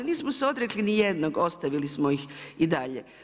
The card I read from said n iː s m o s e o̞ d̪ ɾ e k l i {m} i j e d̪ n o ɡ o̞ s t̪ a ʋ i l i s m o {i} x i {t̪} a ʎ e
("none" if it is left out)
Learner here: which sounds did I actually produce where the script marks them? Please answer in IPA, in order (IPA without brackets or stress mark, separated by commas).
n, i, d̪